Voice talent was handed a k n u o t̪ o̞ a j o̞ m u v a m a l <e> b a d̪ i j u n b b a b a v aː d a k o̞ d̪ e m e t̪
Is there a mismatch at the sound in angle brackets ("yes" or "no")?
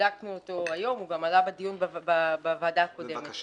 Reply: yes